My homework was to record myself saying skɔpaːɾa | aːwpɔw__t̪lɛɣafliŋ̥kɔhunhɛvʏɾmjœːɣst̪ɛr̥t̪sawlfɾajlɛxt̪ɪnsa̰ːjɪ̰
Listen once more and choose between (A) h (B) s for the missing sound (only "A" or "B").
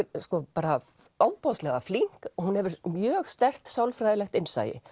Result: B